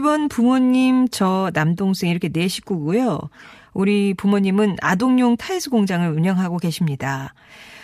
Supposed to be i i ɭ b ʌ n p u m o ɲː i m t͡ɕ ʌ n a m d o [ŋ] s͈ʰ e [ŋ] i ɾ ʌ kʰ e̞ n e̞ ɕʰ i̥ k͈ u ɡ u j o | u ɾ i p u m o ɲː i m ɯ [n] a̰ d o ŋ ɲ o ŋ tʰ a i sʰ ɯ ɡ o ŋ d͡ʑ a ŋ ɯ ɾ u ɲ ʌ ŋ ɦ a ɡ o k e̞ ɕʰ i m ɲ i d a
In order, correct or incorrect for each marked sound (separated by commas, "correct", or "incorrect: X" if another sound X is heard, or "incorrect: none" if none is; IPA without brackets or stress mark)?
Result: correct, correct, correct